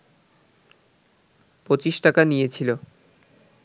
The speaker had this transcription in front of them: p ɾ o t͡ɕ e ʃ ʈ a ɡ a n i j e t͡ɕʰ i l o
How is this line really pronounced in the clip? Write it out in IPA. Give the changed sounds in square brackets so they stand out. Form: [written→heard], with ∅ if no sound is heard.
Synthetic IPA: p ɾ o t͡ɕ [e→i] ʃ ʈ a [ɡ→k] a n i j e t͡ɕʰ i l o